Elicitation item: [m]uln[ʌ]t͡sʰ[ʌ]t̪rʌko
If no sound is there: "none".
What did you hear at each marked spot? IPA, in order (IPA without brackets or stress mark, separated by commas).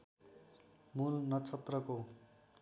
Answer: m, ʌ, ʌ